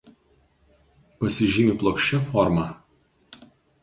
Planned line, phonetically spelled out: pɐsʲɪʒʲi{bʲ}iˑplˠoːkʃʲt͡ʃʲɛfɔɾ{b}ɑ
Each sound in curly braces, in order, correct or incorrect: incorrect: mʲ, incorrect: m

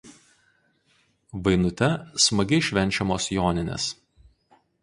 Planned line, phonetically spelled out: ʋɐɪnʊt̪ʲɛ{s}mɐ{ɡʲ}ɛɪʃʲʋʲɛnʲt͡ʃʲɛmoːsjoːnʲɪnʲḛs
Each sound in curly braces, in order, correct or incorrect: correct, correct

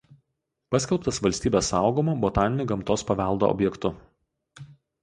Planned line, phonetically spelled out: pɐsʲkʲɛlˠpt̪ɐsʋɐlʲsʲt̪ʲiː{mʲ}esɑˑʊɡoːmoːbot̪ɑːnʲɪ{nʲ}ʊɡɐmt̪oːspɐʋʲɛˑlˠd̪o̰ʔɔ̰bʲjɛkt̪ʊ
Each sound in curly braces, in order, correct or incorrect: incorrect: bʲ, correct

